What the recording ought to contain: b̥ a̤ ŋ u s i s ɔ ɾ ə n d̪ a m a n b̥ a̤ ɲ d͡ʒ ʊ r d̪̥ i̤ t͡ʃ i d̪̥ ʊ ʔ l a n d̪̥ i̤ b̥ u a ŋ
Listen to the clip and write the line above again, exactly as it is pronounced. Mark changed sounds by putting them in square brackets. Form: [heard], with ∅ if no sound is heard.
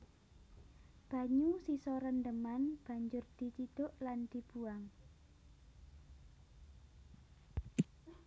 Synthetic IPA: b̥ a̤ [ɲ] u s i s ɔ ɾ ə n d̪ [ə] m a n b̥ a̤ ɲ d͡ʒ ʊ r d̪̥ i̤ t͡ʃ i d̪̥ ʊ ʔ l a n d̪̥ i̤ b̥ u a ŋ